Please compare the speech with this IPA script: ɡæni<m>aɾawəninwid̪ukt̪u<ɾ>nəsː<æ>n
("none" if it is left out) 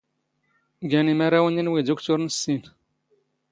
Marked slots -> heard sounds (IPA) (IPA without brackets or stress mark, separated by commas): m, ɾ, i